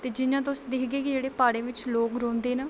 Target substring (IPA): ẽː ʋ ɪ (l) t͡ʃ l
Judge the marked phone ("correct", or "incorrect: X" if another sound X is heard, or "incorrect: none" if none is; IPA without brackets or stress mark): incorrect: none